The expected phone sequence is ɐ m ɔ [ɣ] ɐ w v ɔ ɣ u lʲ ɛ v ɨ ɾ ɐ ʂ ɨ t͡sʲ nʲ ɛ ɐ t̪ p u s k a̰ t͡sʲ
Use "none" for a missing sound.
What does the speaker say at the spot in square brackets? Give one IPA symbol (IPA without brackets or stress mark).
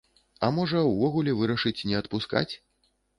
ʐ